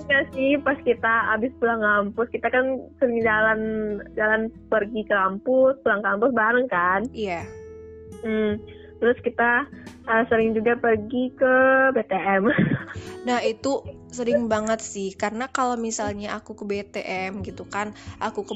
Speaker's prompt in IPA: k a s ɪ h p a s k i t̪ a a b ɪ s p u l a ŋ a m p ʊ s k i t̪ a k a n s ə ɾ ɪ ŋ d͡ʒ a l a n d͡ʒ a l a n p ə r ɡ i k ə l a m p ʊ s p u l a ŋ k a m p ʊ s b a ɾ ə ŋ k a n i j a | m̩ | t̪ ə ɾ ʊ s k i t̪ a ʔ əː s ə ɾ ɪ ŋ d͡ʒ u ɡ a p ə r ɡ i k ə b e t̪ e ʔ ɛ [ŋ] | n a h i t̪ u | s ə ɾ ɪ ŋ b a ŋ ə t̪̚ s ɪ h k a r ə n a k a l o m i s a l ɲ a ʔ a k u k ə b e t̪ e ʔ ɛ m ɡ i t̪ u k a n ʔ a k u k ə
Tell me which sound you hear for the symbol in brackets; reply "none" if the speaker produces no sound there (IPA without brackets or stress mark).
m